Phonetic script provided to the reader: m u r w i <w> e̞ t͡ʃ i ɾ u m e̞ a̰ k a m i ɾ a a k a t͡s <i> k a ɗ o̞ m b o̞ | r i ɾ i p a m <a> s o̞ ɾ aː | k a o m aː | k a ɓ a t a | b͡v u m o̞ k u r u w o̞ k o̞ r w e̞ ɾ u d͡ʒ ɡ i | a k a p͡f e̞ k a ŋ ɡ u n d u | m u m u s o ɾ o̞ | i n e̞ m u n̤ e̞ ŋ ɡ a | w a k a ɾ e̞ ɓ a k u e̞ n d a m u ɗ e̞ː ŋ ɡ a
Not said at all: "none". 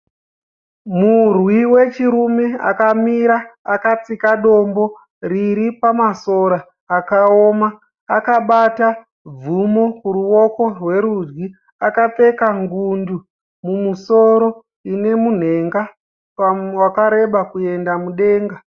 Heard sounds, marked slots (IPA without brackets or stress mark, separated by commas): w, i, a